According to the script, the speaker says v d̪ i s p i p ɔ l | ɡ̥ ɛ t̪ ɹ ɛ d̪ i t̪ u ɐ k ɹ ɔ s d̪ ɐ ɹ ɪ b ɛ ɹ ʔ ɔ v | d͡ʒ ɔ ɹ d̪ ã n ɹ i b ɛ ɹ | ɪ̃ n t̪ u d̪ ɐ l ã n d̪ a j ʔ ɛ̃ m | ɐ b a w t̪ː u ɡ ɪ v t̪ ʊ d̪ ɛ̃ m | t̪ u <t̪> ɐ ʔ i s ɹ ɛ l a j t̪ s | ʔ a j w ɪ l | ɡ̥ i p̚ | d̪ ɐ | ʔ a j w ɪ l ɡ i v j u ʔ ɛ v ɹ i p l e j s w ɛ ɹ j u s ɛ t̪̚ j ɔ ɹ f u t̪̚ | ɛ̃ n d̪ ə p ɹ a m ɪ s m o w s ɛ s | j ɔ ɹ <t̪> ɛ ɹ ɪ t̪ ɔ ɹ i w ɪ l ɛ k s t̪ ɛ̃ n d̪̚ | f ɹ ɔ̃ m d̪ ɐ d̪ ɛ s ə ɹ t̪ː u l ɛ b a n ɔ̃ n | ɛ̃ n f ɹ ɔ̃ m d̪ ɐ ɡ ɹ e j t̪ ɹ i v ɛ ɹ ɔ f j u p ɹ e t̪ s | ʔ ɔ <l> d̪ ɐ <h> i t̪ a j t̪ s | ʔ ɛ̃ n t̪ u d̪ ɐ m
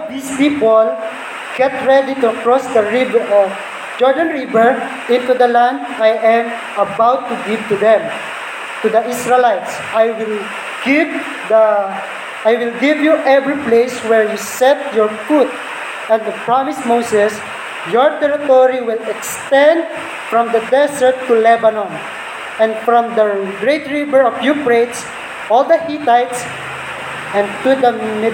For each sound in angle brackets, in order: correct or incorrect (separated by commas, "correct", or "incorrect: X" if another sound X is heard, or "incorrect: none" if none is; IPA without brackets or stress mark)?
incorrect: d̪, correct, correct, correct